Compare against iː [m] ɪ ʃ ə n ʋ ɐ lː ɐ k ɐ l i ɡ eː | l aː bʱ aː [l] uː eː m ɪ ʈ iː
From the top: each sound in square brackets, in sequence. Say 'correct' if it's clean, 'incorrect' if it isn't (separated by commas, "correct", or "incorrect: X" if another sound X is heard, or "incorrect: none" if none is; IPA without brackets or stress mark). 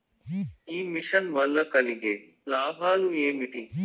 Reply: correct, correct